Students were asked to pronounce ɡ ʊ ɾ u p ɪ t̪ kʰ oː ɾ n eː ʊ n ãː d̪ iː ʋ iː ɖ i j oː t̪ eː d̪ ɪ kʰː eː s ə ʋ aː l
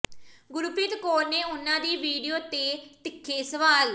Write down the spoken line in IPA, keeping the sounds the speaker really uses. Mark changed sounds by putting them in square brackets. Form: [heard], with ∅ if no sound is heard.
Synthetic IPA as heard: ɡ ʊ ɾ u p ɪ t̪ [k] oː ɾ n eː ʊ n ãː d̪ iː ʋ iː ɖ i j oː t̪ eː [t̪] ɪ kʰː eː s ə ʋ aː l